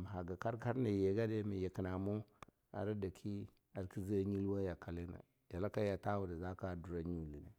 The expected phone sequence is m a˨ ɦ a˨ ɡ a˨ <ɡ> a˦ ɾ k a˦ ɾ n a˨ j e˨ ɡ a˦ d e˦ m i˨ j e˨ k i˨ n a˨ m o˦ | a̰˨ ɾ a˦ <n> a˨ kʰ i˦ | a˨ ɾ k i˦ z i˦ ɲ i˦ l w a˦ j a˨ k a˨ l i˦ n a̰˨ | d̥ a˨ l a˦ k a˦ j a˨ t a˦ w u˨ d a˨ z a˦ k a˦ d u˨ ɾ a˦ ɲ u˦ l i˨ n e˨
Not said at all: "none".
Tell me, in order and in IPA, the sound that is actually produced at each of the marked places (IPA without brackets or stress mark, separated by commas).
k, d